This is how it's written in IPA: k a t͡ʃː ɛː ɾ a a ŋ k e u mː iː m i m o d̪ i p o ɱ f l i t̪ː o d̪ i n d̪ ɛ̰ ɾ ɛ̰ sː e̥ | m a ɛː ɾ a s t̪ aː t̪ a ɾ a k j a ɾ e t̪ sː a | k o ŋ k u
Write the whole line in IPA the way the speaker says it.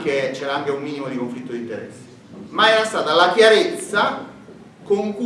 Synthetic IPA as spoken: k e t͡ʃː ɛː ɾ a a ŋ k e u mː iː n i m o d̪ i k o ɱ f l i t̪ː o d̪ i n t̪ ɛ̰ ɾ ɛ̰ sː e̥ | m a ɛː ɾ a s t̪ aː t̪ a l a k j a ɾ e t̪ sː a | k o ŋ k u